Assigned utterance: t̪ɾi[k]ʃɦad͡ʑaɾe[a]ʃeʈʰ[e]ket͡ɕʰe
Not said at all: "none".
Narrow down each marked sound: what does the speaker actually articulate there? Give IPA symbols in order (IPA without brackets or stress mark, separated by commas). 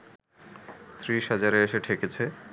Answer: none, e, e